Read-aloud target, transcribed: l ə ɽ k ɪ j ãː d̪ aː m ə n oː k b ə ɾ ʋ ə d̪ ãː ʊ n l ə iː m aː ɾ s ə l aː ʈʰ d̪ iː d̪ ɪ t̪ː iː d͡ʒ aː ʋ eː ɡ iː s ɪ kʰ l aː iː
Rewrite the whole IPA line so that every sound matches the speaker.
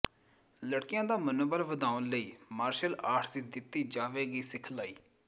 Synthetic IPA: l ə ɽ k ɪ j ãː d̪ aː m ə n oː b ə ɾ ʋ ə d̪ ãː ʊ n l ə iː m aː ɾ ʃ ə l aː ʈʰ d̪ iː d̪ ɪ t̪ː iː d͡ʒ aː ʋ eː ɡ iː s ɪ kʰ l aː iː